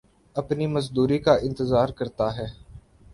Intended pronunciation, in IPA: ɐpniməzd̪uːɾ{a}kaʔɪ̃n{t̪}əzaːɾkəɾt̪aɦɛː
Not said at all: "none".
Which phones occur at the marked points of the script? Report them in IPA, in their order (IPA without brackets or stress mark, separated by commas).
i, t̪